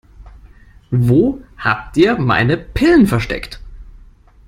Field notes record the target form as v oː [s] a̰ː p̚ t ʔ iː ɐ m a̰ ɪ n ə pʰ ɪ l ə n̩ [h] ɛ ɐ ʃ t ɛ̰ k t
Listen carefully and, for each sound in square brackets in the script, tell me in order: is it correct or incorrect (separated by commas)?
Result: incorrect, incorrect